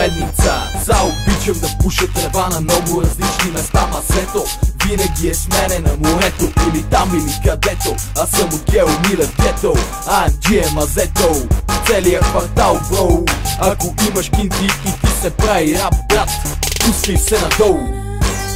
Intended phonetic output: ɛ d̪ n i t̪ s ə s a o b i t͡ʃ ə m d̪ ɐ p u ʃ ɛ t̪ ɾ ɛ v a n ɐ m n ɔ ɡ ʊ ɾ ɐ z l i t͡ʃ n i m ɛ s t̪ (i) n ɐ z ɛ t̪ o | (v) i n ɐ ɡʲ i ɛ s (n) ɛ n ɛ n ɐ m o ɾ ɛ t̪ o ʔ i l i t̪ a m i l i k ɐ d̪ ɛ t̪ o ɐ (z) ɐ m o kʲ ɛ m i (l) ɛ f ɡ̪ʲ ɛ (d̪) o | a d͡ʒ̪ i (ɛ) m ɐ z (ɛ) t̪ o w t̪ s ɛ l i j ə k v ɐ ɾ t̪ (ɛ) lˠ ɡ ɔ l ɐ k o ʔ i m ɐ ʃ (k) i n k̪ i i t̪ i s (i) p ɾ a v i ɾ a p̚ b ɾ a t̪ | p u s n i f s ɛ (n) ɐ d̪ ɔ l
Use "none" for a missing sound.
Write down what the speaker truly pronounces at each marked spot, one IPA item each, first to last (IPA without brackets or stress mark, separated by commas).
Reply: a, v, m, s, l, t̪, ɛ, ɛ, a, k, ɛ, n